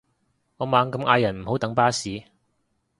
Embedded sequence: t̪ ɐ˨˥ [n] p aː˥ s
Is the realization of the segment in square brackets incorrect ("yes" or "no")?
yes